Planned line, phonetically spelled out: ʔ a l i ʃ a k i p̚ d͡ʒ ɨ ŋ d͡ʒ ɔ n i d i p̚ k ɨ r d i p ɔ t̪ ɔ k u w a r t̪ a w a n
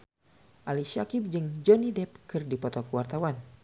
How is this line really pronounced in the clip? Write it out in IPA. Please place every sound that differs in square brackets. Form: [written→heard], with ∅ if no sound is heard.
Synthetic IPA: ʔ a l i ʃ a k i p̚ d͡ʒ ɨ ŋ d͡ʒ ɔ n i d [i→ɛ] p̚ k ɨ r d i p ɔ t̪ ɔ k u w a r t̪ a w a n